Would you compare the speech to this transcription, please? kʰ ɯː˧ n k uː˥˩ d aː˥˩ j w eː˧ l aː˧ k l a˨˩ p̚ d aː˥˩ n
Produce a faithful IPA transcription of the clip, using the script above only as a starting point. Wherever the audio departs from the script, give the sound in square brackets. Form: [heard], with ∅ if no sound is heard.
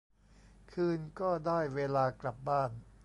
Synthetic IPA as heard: kʰ ɯː˧ n k [ɔː˥˩] d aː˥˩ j w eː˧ l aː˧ k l a˨˩ p̚ [b] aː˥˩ n